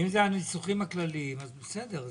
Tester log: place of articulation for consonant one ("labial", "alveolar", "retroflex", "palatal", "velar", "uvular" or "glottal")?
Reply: labial